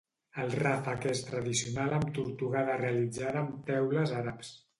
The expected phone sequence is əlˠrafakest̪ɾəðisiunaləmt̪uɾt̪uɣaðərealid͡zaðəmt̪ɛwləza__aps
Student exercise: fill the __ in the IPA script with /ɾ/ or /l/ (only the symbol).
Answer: ɾ